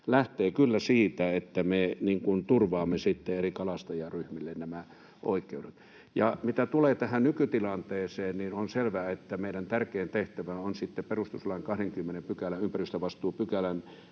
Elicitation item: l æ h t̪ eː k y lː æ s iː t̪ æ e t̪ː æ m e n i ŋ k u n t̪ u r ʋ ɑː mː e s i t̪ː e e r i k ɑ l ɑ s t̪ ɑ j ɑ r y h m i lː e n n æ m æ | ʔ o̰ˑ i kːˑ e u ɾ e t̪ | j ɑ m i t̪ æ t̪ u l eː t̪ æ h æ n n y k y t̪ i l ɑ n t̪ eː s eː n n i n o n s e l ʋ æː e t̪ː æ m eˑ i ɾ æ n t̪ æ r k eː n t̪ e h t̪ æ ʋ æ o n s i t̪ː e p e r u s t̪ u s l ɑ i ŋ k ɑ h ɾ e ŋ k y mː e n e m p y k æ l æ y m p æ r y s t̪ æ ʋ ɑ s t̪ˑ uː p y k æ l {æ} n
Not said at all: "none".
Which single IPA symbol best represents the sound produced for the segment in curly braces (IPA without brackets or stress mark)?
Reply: æ